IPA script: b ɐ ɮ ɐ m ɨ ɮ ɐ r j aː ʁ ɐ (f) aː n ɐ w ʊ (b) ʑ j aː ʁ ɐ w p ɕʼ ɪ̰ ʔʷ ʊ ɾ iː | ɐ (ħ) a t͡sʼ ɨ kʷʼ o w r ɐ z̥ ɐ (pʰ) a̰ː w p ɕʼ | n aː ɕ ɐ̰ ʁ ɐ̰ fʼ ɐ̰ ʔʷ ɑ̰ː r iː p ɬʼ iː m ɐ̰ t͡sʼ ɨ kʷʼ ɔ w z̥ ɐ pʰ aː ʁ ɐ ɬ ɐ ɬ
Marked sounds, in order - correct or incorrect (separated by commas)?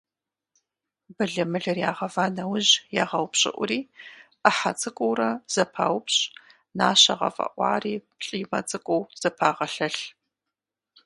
incorrect, incorrect, correct, correct